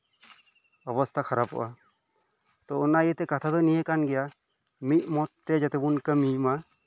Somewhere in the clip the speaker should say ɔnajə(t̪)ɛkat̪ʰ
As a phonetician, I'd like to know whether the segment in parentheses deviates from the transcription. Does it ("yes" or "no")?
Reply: no